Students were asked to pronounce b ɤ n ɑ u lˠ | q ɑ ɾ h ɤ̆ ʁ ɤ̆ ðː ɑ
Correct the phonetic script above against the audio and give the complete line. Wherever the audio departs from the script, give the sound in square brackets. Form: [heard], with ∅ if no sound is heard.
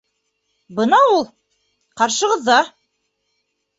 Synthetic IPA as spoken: b ɤ n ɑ u lˠ | q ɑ ɾ [ʃ] ɤ̆ ʁ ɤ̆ ðː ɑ